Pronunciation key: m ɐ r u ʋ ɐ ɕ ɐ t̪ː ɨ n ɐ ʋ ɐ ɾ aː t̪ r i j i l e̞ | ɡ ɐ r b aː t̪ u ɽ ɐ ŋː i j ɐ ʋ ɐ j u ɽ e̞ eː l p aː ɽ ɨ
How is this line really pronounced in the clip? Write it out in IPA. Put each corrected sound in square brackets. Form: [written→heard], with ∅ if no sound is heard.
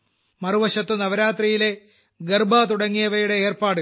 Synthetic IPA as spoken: m ɐ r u ʋ ɐ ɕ ɐ t̪ː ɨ n ɐ ʋ ɐ ɾ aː t̪ r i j i l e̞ | ɡ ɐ r b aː t̪ u ɽ ɐ ŋː i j ɐ ʋ ɐ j u ɽ e̞ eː [l→r] p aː ɽ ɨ